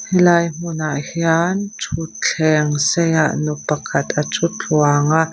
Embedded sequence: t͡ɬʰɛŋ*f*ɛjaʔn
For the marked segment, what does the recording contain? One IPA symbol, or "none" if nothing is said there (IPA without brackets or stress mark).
s